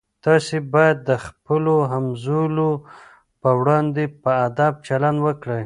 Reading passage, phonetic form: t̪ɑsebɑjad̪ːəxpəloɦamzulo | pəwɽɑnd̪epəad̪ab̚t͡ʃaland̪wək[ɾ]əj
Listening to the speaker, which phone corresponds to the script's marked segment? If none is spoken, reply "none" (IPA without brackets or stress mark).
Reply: ɽ